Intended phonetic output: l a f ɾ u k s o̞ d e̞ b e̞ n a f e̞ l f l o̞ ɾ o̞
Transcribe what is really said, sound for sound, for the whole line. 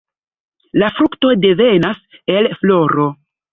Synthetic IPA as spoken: l a f ɾ u k t o̞ d e̞ v e̞ n a s e̞ l f l o̞ ɾ o̞

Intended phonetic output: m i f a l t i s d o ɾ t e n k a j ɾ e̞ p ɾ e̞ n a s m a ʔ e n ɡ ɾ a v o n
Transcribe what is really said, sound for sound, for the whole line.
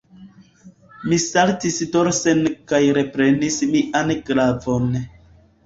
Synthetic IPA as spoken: m i s a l t i s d o ɾ s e n k a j ɾ e̞ p ɾ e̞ n i s m i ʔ a n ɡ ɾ a v o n

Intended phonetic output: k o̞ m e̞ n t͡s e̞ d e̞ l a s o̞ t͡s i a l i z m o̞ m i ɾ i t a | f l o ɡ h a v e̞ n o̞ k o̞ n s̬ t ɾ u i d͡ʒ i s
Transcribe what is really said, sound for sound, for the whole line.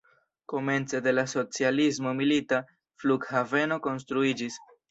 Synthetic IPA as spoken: k o̞ m e̞ n t͡s e̞ d e̞ l a s o̞ t͡s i a l i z m o̞ m i l i t a | f l u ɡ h a v e̞ n o̞ k o̞ n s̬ t ɾ u i d͡ʒ i s

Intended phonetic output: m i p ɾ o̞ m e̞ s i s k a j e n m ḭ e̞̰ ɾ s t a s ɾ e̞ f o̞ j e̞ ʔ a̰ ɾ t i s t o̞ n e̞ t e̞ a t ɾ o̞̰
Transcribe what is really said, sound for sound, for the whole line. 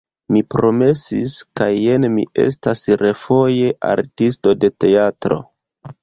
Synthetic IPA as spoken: m i p ɾ o̞ m e̞ s i s k a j e n m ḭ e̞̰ s t a s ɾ e̞ f o̞ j e̞ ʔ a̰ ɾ t i s t o̞ d e̞ t e̞ a t ɾ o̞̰

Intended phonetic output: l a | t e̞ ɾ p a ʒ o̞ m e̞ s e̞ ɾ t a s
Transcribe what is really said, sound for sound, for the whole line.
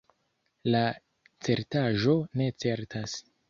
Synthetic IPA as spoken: l a | t͡s e̞ ɾ t a ʒ o̞ n e̞ t͡s e̞ ɾ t a s

